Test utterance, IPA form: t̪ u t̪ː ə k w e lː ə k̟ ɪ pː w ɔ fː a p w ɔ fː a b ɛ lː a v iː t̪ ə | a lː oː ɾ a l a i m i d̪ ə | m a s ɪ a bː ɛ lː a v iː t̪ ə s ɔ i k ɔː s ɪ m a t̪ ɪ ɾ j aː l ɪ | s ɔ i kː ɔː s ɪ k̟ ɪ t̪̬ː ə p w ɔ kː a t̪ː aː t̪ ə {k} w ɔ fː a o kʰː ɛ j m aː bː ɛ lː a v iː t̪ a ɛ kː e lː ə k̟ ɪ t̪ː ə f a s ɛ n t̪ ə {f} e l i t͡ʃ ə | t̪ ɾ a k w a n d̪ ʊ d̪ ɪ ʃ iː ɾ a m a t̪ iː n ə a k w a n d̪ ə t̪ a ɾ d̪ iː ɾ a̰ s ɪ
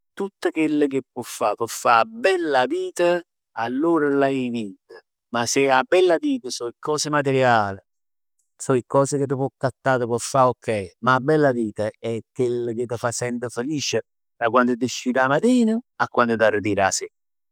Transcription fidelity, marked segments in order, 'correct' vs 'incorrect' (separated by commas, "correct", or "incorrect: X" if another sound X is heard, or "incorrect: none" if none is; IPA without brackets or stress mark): incorrect: p, correct